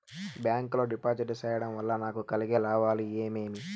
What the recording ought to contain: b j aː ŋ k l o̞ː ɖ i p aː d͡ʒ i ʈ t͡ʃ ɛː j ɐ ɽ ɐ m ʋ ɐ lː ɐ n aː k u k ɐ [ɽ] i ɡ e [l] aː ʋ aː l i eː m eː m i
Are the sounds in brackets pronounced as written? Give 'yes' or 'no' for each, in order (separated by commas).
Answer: no, yes